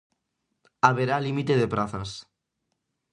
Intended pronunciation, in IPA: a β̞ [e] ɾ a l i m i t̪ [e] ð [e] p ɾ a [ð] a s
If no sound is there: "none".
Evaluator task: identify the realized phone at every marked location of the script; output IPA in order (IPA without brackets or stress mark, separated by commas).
e, e, e, θ